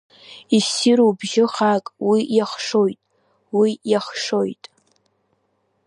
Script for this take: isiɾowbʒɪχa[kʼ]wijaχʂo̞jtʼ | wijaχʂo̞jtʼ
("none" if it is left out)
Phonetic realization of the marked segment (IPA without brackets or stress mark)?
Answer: kʼ